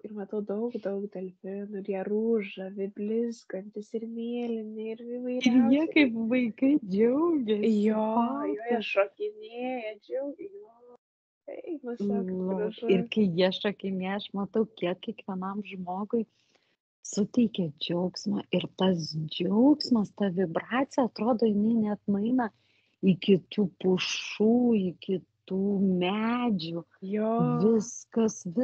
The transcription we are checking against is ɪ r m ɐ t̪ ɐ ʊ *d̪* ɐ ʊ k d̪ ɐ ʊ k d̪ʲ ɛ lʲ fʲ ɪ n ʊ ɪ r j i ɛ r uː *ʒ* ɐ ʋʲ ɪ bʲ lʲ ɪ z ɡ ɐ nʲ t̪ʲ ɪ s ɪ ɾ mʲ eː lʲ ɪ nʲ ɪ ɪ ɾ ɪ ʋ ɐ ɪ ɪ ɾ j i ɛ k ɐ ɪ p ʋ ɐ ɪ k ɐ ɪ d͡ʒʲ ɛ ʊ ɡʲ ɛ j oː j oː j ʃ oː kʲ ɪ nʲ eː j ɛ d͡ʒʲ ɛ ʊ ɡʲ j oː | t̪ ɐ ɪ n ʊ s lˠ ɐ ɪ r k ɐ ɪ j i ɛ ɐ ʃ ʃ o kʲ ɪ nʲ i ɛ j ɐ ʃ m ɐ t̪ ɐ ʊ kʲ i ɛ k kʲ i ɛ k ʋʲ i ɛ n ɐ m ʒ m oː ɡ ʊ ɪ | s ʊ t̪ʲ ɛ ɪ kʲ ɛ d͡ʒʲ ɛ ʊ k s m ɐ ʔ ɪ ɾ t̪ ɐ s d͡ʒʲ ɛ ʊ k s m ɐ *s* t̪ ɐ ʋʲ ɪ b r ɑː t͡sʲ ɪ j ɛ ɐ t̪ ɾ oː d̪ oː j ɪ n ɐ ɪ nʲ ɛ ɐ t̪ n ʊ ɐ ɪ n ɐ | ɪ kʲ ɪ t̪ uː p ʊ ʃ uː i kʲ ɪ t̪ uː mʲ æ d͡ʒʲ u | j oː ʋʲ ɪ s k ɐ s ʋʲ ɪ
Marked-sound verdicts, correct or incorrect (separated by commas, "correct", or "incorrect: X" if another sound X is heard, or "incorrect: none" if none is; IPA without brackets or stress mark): correct, correct, correct